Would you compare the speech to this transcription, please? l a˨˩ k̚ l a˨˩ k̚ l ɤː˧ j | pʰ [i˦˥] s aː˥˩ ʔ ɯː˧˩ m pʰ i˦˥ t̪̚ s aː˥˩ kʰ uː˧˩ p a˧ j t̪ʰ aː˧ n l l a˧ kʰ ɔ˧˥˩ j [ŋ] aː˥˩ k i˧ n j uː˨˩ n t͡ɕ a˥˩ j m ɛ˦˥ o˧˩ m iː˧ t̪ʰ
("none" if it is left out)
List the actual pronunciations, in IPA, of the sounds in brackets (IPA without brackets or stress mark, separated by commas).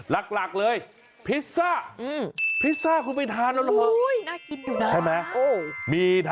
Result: i˦˥, n